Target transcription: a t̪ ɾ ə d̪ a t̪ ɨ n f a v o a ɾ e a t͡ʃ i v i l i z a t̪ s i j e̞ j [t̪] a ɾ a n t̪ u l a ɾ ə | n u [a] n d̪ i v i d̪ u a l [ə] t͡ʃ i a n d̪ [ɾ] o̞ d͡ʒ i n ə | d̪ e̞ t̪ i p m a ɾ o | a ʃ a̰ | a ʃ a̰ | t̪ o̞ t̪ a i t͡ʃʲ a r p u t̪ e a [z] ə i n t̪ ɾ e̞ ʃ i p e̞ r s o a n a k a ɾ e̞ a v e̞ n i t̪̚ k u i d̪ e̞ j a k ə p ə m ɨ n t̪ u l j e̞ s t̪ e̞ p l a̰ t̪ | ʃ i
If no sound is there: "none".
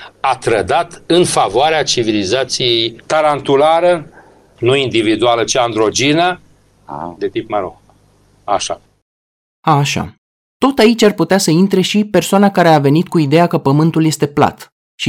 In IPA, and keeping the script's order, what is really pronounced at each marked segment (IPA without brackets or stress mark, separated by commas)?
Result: t̪, i, ə, ɾ, s